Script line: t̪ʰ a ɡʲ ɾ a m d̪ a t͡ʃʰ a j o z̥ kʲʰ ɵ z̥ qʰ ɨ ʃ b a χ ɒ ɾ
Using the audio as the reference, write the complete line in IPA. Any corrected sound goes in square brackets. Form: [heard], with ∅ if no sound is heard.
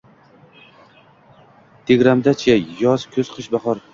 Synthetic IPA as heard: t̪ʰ [e] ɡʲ ɾ a m d̪ a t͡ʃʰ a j [ɒ] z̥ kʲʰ ɵ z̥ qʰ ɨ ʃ b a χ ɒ ɾ